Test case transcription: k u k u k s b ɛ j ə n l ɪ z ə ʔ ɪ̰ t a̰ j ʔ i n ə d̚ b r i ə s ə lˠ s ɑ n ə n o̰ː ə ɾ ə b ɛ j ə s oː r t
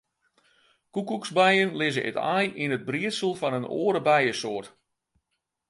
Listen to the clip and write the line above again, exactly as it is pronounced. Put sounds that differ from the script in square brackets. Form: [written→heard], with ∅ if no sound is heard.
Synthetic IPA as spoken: k u k u k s b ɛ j ə n l ɪ z ə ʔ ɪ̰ t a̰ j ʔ i n ə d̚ b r i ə s ə lˠ [s→f] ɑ n ə n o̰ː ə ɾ ə b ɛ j ə s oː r t